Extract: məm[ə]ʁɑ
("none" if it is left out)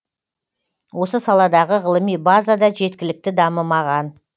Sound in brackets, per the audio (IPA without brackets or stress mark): ɑ